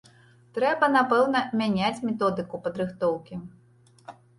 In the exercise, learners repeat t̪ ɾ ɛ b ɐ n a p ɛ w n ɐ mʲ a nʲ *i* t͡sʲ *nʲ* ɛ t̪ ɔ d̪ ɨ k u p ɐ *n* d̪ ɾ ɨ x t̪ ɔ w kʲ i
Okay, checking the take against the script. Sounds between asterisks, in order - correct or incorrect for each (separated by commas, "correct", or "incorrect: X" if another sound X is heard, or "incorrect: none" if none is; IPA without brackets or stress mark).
incorrect: a, incorrect: mʲ, incorrect: none